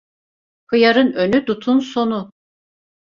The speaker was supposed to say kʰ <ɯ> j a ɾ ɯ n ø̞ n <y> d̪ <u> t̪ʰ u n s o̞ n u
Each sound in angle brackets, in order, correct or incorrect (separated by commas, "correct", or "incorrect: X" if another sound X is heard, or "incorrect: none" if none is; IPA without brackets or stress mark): correct, correct, correct